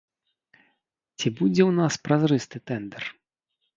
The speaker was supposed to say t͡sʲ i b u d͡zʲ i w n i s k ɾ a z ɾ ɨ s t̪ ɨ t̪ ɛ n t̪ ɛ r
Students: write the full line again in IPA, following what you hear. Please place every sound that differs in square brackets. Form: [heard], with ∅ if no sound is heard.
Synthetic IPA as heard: t͡sʲ i b u d͡zʲ [ɛ] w n [a] s [p] ɾ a z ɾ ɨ s t̪ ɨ t̪ ɛ n [d̪] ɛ r